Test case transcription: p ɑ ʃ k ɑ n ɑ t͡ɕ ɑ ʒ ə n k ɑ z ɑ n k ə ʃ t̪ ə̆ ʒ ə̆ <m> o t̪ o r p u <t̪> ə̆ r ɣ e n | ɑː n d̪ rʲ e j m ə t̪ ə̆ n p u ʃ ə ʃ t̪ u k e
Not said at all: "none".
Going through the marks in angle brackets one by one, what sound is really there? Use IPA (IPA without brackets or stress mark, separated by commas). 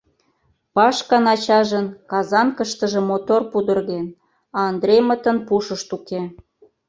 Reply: m, d̪